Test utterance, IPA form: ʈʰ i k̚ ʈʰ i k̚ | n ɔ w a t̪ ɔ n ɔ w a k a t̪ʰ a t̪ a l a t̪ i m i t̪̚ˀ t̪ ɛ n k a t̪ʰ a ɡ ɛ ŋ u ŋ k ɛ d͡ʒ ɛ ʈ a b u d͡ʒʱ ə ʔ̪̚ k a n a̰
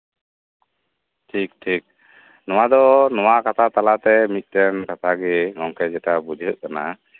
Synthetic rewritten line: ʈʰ i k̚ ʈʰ i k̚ | n ɔ w a d̪ ɔ n ɔ w a k a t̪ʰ a t̪ a l a t̪ ɛ m i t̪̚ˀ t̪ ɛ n k a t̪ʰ a ɡ ɛ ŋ ɔ ŋ k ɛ d͡ʒ ɛ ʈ a b u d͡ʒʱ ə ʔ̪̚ k a n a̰